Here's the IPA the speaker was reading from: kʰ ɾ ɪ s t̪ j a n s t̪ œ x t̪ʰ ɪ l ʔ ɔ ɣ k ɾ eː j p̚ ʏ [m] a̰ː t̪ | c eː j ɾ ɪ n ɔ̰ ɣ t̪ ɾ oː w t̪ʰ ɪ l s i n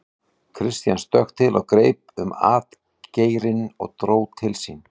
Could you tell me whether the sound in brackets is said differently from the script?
no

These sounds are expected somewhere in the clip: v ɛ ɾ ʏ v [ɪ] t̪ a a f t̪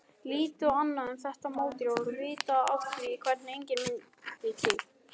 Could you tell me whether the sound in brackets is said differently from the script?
yes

